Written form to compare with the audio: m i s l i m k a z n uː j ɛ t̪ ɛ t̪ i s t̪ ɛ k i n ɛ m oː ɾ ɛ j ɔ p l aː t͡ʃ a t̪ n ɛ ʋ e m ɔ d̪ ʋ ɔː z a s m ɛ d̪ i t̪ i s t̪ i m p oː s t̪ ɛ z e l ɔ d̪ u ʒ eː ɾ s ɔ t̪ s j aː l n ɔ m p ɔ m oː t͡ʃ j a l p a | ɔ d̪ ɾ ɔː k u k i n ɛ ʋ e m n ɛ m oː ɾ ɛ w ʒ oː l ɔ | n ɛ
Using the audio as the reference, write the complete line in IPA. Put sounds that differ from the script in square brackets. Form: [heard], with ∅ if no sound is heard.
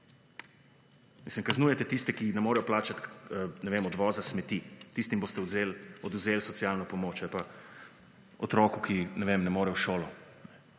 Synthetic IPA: m i s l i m k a z n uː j ɛ t̪ ɛ t̪ i s t̪ ɛ k i n ɛ m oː ɾ ɛ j ɔ p l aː t͡ʃ a t̪ n ɛ ʋ e m ɔ d̪ ʋ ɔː z a s m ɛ [t̪] i t̪ i s t̪ i m [b] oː s t̪ ɛ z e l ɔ d̪ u [z] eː [l] s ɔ t̪ s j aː l n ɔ [∅] p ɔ m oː t͡ʃ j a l p a | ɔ [t̪] ɾ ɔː k u k i n ɛ ʋ e m n ɛ m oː ɾ ɛ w [ʃ] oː l ɔ | n ɛ